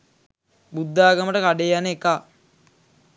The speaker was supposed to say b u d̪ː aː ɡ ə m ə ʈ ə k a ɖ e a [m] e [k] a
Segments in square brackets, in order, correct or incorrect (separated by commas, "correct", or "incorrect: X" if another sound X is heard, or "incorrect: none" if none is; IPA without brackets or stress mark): incorrect: n, correct